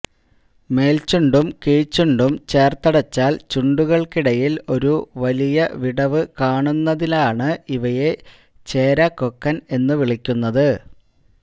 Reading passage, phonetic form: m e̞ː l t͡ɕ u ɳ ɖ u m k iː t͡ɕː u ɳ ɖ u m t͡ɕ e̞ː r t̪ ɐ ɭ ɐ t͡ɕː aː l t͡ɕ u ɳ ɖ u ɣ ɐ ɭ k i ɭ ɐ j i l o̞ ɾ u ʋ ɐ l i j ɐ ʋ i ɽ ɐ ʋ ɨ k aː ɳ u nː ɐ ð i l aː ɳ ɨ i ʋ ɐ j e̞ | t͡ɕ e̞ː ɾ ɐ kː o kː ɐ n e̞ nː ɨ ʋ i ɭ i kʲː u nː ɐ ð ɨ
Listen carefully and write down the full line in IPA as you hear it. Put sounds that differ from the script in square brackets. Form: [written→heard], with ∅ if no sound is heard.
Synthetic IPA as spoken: m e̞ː l t͡ɕ u ɳ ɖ u m k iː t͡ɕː u ɳ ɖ u m t͡ɕ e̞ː r t̪ ɐ [ɭ→ɽ] ɐ t͡ɕː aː l t͡ɕ u ɳ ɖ u ɣ ɐ ɭ k i [ɭ→ɽ] ɐ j i l o̞ ɾ u ʋ ɐ l i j ɐ ʋ i ɽ ɐ ʋ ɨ k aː ɳ u nː ɐ ð i l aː ɳ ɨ i ʋ ɐ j e̞ | t͡ɕ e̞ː ɾ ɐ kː o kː ɐ n e̞ nː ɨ ʋ i ɭ i kʲː u nː ɐ ð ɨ